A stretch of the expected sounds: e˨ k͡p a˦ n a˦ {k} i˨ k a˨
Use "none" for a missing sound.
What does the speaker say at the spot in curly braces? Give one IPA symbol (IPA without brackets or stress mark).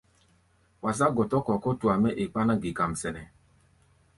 ɡ